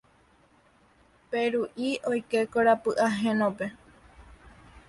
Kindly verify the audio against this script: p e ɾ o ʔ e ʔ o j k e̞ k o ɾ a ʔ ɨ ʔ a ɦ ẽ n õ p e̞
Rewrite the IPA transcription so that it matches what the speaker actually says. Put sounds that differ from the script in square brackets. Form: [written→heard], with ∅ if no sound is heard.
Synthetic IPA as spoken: p e ɾ [o→u] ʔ [e→i] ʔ o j k e̞ k o ɾ a [ʔ→p] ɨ ʔ a ɦ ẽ n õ p e̞